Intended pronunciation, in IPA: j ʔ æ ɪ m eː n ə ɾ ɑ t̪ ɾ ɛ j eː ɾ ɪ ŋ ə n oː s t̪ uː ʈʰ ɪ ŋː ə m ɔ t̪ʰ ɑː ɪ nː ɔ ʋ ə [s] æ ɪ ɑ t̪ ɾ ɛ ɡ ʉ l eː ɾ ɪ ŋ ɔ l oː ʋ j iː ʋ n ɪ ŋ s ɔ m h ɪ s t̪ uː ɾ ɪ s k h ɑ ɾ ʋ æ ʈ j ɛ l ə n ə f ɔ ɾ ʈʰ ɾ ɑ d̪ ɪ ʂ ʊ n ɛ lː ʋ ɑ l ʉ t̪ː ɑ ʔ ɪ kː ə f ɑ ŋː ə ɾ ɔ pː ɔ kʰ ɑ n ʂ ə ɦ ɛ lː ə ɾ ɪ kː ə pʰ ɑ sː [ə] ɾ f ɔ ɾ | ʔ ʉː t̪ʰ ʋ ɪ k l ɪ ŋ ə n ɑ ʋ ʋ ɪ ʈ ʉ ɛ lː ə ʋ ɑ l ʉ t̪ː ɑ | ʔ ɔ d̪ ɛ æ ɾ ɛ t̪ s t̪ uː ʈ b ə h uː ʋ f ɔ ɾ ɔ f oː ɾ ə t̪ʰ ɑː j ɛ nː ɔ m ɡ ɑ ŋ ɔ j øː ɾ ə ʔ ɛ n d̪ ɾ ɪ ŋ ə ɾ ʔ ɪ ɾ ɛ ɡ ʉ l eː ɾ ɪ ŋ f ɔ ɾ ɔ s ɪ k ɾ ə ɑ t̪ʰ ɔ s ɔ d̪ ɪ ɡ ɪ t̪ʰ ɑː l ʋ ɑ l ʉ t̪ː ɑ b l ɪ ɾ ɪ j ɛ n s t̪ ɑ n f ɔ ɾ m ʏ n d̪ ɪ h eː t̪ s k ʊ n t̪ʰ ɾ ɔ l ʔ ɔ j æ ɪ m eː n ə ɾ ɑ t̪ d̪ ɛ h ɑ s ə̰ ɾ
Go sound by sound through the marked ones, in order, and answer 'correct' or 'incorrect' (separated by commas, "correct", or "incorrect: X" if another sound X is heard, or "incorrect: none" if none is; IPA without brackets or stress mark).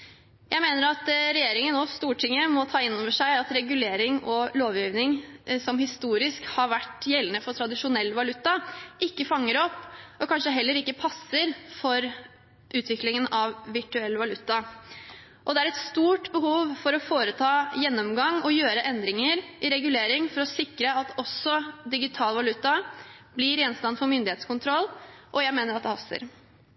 incorrect: ʂ, correct